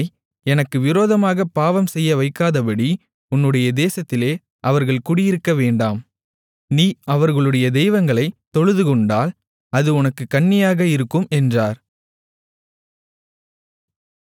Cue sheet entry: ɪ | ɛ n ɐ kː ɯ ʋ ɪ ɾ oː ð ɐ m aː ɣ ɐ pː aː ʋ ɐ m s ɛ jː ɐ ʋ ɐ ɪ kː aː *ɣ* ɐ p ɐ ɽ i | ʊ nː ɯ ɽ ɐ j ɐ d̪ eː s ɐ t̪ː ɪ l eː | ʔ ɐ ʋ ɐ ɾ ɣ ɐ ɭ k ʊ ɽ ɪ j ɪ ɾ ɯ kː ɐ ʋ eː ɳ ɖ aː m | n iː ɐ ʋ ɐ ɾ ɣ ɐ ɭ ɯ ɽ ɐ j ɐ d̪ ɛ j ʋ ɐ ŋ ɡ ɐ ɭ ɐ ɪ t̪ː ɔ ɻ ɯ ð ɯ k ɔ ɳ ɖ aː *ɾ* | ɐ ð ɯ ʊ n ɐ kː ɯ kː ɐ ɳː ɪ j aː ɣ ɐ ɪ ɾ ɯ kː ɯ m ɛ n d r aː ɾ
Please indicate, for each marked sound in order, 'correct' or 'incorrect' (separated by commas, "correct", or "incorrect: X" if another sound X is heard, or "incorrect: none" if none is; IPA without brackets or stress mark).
incorrect: ð, incorrect: l